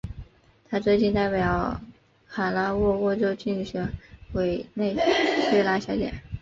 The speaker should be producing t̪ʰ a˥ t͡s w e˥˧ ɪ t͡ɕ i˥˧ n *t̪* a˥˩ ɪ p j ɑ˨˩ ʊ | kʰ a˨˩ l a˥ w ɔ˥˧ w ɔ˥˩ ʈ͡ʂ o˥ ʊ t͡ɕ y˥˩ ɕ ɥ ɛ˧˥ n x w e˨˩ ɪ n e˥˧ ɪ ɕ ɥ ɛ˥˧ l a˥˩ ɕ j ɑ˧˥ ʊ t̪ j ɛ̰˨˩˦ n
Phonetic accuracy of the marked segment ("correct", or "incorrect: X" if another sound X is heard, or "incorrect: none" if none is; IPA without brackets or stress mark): correct